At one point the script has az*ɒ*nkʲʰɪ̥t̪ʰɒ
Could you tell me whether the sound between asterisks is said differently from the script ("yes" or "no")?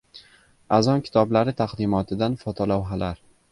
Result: no